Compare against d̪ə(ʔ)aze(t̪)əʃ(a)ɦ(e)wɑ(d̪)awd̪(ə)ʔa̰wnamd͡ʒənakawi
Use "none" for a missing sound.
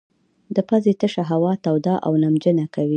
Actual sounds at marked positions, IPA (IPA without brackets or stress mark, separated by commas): p, t̪, a, a, t̪, ɑ